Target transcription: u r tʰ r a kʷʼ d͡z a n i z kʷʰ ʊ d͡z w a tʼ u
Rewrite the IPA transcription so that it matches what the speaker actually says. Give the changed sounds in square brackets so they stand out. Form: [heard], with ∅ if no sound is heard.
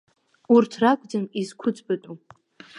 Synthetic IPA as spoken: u r tʰ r a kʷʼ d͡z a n i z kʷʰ ʊ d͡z [b] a tʼ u